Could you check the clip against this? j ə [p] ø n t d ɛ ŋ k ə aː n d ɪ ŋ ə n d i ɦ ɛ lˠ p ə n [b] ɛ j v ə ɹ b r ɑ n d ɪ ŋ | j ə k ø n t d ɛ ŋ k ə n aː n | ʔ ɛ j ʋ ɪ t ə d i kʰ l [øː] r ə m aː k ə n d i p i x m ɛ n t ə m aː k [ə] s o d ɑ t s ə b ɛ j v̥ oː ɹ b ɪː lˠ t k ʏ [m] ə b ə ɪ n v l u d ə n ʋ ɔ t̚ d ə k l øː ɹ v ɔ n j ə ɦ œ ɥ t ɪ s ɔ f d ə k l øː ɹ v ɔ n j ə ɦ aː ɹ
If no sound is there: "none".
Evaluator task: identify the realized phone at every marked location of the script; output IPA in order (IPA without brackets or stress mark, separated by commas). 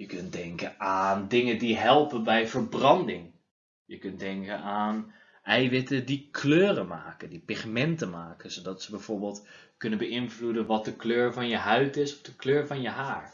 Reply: k, b, øː, ə, n